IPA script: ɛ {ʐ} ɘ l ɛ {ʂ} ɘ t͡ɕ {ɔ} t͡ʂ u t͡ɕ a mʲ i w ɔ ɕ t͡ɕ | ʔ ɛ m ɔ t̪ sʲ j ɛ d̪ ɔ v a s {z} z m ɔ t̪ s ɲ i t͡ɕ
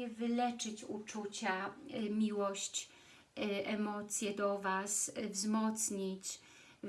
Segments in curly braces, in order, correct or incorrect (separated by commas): incorrect, incorrect, incorrect, incorrect